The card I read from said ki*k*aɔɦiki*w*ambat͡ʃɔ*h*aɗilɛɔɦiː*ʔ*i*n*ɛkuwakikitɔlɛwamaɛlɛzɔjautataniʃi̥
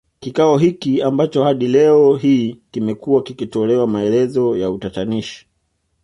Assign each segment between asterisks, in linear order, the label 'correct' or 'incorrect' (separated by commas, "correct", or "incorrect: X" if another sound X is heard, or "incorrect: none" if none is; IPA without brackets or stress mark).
correct, incorrect: none, correct, incorrect: k, incorrect: m